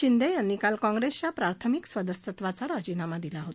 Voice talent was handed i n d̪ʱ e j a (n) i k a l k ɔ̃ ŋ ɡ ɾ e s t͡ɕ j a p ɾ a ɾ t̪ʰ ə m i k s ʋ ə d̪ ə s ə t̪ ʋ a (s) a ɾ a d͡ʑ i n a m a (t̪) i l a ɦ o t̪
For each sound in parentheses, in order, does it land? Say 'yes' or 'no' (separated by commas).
no, no, no